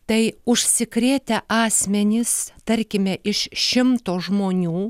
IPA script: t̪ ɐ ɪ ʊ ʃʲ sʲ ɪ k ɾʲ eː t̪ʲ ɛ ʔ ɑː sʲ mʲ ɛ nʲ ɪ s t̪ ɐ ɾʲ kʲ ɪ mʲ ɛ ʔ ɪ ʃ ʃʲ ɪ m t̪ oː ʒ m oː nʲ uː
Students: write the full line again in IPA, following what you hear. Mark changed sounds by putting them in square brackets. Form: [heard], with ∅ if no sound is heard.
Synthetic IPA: t̪ ɐ ɪ ʊ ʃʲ sʲ ɪ k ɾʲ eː t̪ʲ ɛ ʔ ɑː sʲ mʲ ɛ nʲ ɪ s t̪ ɐ ɾʲ kʲ ɪ mʲ ɛ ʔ ɪ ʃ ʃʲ ɪ m t̪ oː ʒ m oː nʲ uː